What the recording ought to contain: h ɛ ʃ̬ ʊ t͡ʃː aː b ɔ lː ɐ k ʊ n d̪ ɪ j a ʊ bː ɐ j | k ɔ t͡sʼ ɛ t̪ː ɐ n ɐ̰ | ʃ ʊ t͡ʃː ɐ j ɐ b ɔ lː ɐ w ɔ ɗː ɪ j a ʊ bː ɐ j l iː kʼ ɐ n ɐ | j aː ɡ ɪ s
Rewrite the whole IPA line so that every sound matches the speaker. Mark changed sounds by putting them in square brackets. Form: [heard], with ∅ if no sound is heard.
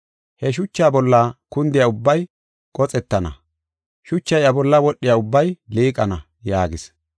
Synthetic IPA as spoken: h ɛ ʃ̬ ʊ t͡ʃː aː b ɔ lː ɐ k ʊ n d̪ ɪ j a ʊ bː ɐ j | [kʼ] ɔ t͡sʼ ɛ t̪ː ɐ n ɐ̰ | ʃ ʊ t͡ʃː ɐ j ɐ b ɔ lː ɐ w ɔ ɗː ɪ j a ʊ bː ɐ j l iː kʼ ɐ n ɐ | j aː ɡ ɪ s